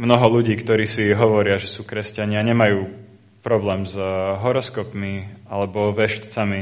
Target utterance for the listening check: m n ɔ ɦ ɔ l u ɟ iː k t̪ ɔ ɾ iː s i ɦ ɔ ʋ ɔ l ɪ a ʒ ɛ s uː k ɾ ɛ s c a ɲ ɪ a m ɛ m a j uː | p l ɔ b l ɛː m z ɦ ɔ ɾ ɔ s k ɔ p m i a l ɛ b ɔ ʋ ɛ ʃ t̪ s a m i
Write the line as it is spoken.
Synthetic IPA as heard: m n ɔ ɦ ɔ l u ɟ iː k t̪ ɔ ɾ iː s i ɦ ɔ ʋ ɔ ɾ ɪ a ʒ ɛ s uː k ɾ ɛ s c a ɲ ɪ a ɲ ɛ m a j uː | p ɾ ɔ b l ɛː m z ɦ ɔ ɾ ɔ s k ɔ p m i a l ɛ b ɔ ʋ ɛ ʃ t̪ t͡s a m i